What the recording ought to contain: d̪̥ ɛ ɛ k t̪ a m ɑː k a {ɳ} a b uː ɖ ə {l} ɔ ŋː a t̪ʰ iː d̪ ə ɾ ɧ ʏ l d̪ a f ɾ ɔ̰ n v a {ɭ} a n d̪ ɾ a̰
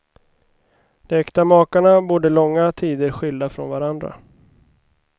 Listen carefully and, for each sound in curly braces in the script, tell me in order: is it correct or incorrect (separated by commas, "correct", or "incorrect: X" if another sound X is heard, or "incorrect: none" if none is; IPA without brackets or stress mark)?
correct, correct, incorrect: ɾ